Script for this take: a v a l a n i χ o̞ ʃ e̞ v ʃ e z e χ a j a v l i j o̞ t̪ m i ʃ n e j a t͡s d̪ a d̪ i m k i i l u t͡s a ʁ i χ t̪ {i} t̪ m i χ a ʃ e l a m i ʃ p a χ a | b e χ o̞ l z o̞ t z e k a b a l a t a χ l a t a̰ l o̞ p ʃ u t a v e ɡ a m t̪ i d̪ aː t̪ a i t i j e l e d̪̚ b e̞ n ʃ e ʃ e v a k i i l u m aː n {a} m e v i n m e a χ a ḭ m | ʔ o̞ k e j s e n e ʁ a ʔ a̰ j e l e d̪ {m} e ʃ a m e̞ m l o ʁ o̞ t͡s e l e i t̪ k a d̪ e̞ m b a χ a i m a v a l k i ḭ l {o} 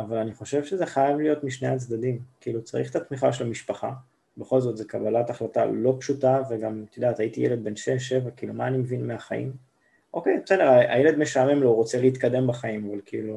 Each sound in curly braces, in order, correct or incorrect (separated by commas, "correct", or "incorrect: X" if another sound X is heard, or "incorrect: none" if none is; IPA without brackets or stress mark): incorrect: a, incorrect: i, correct, incorrect: u